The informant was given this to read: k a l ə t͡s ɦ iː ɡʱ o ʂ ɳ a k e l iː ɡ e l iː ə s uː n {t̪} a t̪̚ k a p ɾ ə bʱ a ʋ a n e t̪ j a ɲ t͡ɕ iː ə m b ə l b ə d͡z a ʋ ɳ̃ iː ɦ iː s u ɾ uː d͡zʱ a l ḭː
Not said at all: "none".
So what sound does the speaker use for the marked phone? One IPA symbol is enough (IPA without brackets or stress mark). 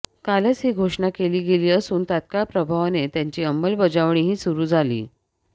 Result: t̪